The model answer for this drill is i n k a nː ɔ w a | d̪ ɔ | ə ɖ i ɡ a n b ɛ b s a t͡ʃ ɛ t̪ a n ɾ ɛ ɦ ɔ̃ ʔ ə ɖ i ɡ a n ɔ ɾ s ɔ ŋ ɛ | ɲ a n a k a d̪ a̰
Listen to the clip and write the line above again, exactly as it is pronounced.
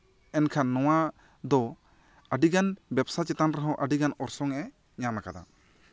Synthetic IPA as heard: ɛ n kʰ a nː ɔ w a | d̪ ɔ | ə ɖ i ɡ a n b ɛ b s a t͡ʃ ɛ t̪ a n ɾ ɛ ɦ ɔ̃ ʔ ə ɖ i ɡ a n ɔ ɾ s ɔ ŋ ɛ | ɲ a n a k a d̪ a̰